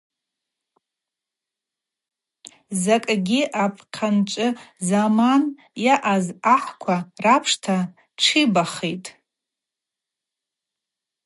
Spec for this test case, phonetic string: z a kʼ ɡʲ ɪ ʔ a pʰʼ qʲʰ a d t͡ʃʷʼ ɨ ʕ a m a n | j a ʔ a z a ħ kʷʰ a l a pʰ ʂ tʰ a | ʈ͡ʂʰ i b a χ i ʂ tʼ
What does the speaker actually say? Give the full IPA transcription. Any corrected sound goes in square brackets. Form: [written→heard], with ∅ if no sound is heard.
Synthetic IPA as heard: z a kʼ ɡʲ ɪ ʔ a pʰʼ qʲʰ a [d→n] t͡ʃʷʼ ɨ [ʕ→z] a m a n | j a ʔ a z a ħ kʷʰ a [l→r] a pʰ ʂ tʰ a | ʈ͡ʂʰ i b a χ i [ʂ→∅] tʼ